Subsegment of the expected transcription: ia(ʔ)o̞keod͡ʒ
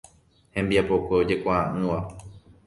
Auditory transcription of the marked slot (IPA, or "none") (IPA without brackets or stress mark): p